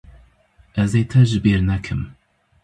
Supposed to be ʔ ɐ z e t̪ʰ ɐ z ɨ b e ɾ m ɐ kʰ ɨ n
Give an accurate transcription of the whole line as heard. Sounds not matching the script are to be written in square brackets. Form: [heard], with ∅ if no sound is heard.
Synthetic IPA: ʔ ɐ z e t̪ʰ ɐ [ʒ] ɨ b e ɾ [n] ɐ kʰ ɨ [m]